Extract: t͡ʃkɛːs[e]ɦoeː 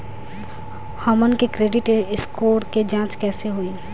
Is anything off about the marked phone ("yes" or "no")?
no